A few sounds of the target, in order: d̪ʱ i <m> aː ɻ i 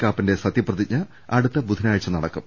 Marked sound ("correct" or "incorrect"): incorrect